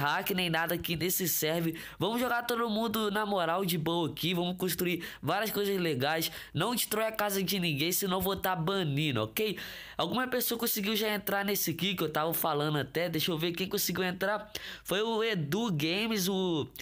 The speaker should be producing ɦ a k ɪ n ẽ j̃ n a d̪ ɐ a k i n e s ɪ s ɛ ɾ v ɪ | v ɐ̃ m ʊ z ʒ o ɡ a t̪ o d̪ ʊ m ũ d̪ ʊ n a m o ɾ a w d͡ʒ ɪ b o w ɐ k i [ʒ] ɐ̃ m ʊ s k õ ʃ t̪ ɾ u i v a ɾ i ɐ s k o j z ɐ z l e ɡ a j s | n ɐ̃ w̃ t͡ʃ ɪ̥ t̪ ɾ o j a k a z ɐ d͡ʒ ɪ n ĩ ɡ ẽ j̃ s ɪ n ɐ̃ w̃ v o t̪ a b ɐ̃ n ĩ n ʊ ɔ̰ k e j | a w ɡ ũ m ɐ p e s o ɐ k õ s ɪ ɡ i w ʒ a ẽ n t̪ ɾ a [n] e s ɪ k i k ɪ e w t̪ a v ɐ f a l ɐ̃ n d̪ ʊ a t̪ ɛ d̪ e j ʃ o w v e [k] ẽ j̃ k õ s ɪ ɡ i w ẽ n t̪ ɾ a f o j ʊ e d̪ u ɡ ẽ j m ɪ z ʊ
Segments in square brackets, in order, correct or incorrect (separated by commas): incorrect, correct, correct